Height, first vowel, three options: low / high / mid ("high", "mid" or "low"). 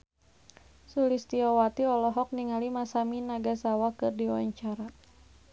high